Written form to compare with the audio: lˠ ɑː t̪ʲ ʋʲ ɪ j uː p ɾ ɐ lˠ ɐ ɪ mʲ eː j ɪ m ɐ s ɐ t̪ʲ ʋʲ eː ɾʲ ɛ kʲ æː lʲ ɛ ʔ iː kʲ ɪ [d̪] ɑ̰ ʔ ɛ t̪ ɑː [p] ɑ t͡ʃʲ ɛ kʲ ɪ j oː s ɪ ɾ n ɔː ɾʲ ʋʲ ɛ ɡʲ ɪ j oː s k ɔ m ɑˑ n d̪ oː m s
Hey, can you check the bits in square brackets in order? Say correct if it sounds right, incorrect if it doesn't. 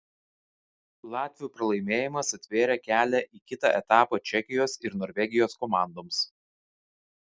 incorrect, correct

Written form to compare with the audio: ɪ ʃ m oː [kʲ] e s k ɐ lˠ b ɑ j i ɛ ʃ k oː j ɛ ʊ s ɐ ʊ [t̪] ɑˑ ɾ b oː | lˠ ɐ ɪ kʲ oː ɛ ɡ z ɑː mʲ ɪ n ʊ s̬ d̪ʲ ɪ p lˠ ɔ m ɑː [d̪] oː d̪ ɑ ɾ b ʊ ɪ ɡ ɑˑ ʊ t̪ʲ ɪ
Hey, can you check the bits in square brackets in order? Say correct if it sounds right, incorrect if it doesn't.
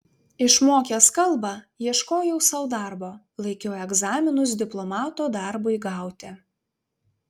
correct, incorrect, incorrect

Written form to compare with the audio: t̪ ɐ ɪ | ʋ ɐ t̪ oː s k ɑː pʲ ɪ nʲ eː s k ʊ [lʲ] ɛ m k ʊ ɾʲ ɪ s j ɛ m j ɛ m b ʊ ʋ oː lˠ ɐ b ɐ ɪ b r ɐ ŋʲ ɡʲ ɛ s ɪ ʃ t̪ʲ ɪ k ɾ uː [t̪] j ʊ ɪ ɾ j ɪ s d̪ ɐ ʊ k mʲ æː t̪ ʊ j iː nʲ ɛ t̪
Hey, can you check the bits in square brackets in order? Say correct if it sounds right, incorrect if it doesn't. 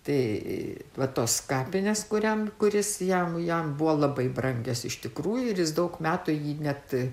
incorrect, incorrect

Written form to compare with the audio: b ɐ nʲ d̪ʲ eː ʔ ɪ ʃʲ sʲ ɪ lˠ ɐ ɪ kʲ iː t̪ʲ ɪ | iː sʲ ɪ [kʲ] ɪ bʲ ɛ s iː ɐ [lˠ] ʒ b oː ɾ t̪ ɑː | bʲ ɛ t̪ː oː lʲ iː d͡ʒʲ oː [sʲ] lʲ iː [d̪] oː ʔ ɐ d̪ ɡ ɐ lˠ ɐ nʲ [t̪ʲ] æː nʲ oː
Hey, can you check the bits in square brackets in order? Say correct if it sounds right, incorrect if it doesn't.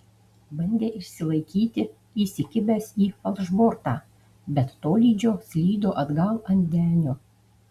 correct, correct, correct, correct, incorrect

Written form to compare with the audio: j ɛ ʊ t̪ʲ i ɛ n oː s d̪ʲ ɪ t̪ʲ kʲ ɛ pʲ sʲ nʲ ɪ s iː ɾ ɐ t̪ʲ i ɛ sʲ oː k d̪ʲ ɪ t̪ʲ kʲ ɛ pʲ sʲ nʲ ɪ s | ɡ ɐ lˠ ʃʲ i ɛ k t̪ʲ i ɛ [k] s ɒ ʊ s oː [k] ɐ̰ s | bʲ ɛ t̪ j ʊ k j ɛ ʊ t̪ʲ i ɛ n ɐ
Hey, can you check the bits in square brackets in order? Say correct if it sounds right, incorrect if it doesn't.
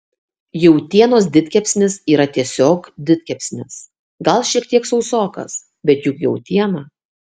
correct, correct

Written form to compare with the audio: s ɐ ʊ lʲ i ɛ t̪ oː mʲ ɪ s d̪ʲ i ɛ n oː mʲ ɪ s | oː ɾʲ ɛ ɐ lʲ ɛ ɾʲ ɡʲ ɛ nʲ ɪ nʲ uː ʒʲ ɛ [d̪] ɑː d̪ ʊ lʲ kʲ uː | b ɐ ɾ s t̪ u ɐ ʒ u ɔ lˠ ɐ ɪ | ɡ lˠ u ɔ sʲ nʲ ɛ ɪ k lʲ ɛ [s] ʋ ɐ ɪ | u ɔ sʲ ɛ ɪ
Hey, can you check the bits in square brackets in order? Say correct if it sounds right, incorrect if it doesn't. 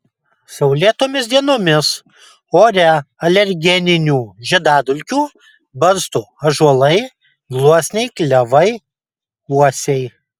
correct, incorrect

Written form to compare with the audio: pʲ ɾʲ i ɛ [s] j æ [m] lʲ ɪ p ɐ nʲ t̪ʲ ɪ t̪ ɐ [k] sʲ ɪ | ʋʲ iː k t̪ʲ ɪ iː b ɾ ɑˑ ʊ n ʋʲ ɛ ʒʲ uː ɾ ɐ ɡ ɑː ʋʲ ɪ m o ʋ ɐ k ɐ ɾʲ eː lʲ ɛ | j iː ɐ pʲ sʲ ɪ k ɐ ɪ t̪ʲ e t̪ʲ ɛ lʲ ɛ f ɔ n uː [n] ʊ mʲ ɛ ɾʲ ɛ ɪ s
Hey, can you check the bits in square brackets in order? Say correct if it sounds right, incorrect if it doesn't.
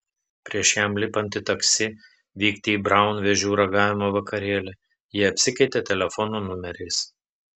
incorrect, correct, correct, correct

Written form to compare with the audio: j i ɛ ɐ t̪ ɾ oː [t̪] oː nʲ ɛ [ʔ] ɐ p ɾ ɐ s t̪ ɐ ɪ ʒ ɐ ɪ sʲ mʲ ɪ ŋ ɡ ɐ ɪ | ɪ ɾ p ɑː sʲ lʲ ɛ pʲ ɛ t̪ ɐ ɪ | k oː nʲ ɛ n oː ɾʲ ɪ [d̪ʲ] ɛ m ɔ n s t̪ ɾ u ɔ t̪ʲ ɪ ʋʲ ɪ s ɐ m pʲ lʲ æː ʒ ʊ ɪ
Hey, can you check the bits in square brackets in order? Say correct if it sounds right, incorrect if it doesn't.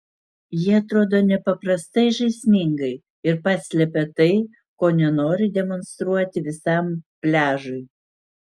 incorrect, incorrect, correct

